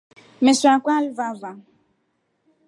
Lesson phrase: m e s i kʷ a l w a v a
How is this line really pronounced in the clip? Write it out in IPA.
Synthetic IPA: m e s a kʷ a l v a v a